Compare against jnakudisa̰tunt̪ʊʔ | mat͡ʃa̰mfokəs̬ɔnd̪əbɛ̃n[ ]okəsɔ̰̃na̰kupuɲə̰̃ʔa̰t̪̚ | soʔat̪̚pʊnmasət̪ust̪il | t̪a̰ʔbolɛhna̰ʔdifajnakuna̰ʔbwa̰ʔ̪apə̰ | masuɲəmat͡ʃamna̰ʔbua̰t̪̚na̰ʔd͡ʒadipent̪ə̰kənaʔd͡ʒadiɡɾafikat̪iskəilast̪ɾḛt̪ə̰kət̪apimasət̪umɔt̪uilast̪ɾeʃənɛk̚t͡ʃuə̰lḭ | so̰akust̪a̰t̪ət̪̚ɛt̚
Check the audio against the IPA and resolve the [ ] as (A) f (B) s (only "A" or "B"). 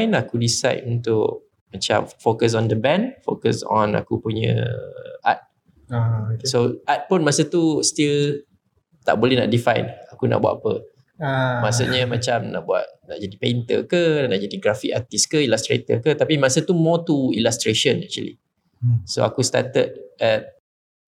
A